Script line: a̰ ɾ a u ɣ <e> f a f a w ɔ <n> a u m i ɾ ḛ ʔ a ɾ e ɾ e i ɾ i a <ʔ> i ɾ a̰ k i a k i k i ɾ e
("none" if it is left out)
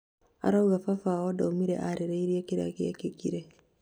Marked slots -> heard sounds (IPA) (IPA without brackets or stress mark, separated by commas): a, d, k